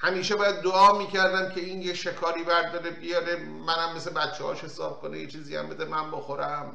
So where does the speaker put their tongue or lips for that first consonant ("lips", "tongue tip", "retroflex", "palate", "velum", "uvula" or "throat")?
throat